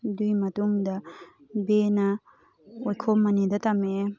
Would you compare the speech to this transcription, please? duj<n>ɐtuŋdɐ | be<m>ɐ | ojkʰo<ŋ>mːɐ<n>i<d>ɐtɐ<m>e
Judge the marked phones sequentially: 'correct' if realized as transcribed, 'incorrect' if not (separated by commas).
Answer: incorrect, incorrect, incorrect, correct, correct, correct